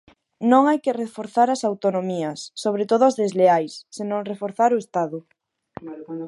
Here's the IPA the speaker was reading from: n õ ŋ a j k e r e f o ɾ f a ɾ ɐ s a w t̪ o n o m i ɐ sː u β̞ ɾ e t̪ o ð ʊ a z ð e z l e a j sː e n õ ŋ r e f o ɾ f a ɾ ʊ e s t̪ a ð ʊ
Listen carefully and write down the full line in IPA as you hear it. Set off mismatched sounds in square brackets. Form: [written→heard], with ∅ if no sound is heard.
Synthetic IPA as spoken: n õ ŋ a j k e r e f o ɾ [f→θ] a ɾ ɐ s a w t̪ o n o m i ɐ sː [u→o] β̞ ɾ e t̪ o ð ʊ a z ð e z l e a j sː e n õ ŋ r e f o ɾ [f→θ] a ɾ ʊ e s t̪ a ð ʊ